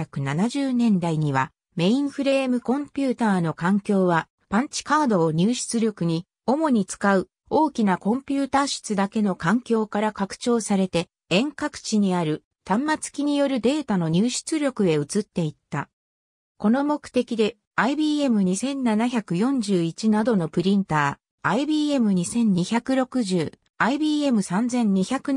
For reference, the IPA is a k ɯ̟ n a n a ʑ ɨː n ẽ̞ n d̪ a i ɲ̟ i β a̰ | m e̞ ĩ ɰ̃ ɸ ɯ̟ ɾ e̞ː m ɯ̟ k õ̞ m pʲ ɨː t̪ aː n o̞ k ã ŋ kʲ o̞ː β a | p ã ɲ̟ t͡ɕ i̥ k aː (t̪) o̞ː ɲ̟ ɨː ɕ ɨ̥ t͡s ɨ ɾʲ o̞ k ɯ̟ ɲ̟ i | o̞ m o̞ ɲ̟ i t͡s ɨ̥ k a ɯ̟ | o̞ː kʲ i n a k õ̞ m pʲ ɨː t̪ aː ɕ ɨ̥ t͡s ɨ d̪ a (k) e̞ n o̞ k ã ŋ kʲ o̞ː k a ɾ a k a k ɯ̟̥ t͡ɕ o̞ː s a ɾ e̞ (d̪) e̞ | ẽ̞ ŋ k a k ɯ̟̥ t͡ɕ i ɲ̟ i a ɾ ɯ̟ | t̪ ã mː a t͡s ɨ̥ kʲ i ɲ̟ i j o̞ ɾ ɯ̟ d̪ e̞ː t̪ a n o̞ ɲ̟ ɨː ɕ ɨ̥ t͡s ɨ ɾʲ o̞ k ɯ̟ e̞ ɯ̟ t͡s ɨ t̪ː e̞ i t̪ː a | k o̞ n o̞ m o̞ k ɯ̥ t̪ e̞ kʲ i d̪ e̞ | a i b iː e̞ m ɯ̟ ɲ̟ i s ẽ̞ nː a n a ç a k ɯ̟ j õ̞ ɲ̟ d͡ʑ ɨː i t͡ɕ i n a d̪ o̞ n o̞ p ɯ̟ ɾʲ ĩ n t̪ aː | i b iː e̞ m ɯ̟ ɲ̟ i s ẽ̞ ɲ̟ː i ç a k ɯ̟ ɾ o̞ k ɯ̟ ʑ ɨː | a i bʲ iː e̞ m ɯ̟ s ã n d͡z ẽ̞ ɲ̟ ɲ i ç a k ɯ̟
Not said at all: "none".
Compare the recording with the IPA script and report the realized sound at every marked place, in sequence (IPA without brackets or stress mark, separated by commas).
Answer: d̪, k, t̪